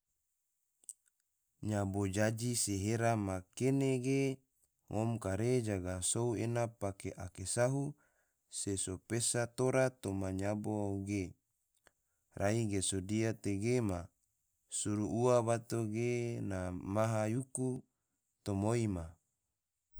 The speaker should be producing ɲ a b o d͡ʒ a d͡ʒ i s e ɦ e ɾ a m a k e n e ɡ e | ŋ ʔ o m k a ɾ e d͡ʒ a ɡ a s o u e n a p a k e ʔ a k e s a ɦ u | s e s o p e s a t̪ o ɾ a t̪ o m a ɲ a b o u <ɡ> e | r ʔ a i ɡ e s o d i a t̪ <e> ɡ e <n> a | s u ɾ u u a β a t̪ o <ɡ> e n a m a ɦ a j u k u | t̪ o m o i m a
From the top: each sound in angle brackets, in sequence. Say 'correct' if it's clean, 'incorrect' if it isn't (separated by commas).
correct, correct, incorrect, correct